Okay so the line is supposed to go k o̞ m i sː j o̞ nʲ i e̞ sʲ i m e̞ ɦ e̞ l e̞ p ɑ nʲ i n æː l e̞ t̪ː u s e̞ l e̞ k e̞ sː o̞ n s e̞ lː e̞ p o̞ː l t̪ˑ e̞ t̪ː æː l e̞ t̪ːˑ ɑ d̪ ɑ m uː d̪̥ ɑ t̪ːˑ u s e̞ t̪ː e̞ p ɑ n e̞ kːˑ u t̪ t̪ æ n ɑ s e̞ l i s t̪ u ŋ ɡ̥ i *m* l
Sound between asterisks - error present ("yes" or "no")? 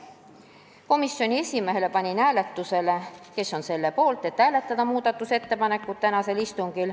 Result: yes